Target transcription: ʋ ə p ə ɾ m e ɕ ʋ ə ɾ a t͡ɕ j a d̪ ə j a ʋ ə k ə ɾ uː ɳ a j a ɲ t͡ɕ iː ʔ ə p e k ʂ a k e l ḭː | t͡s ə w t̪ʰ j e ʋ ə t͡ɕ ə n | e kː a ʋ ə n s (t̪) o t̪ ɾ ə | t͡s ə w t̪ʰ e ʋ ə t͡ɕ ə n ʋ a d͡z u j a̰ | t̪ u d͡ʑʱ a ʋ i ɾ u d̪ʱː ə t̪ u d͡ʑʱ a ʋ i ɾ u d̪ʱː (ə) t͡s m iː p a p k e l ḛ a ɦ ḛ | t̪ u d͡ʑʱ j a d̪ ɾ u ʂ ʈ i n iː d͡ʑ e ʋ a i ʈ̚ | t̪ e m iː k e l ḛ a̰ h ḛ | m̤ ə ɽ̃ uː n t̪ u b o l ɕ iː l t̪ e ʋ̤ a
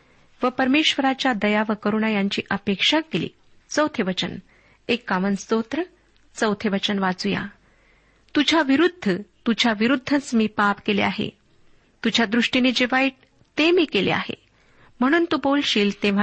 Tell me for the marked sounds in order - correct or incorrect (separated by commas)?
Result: correct, correct